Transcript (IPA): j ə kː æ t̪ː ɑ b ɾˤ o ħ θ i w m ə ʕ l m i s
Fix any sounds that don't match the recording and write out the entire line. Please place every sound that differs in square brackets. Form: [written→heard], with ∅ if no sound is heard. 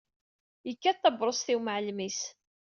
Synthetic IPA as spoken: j ə kː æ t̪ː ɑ b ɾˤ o [ħ→s] θ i w m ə ʕ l m i s